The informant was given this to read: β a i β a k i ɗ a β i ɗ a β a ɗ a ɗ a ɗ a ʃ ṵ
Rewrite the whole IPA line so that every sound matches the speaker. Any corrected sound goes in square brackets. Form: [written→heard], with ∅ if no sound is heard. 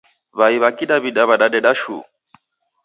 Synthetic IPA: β a i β a k i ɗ a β i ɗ a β a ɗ a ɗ [a→ɛ] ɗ a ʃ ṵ